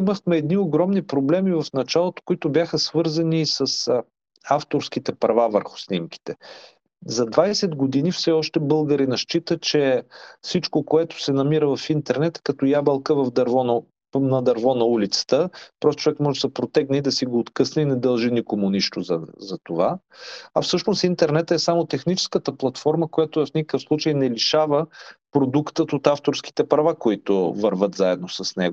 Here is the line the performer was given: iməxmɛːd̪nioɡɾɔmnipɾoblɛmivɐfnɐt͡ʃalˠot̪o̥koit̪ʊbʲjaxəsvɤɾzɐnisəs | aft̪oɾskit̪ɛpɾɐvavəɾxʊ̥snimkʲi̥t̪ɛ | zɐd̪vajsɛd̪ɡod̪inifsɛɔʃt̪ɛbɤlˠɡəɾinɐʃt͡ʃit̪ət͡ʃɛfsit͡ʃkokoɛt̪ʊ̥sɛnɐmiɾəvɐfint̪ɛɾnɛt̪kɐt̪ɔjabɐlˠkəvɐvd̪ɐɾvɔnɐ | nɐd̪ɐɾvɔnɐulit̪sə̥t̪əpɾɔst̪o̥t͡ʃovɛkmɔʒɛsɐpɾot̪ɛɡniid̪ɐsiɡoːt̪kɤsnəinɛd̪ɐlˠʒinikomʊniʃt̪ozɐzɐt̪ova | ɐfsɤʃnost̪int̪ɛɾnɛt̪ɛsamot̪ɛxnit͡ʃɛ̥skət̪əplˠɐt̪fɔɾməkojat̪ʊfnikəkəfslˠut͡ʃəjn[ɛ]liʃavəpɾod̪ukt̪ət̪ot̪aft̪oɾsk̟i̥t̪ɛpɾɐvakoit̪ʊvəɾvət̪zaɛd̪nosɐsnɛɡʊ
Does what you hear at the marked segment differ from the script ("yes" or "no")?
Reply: no